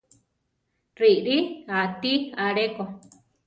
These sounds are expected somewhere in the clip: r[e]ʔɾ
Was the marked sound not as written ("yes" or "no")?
yes